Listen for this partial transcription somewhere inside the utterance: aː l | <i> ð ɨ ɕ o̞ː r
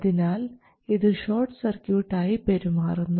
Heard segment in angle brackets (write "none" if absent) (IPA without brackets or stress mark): i